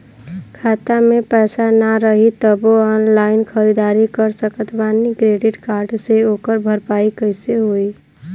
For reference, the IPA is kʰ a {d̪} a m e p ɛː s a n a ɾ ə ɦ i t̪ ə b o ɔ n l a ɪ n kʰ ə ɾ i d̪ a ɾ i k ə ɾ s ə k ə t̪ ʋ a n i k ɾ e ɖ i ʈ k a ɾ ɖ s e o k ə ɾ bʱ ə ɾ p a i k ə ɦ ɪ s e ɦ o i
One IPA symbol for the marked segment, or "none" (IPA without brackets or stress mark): t̪